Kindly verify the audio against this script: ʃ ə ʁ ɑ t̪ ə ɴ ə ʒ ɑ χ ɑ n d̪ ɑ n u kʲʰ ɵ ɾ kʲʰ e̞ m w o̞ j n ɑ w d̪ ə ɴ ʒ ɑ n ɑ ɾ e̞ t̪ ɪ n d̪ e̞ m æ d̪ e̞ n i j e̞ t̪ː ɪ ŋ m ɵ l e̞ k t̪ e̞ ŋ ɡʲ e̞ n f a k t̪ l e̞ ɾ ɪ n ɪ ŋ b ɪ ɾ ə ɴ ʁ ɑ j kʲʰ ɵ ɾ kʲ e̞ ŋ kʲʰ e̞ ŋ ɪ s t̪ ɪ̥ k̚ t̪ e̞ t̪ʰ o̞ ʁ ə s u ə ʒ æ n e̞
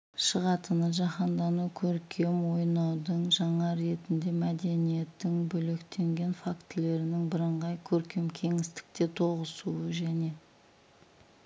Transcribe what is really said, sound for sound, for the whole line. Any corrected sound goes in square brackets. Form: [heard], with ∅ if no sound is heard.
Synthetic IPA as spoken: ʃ ə ʁ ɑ t̪ ə [n] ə ʒ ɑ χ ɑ n d̪ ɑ n u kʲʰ ɵ ɾ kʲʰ e̞ m w o̞ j n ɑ w d̪ ə ɴ ʒ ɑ [ɴ] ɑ ɾ e̞ t̪ ɪ n d̪ e̞ m æ d̪ e̞ n i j e̞ t̪ː ɪ ŋ [b] ɵ l e̞ k t̪ e̞ ŋ ɡʲ e̞ n f a k t̪ l e̞ ɾ ɪ n ɪ ŋ b ɪ ɾ ə ɴ ʁ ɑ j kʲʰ ɵ ɾ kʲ e̞ [m] kʲʰ e̞ ŋ ɪ s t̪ ɪ̥ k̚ t̪ e̞ t̪ʰ o̞ ʁ ə s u ə ʒ æ n e̞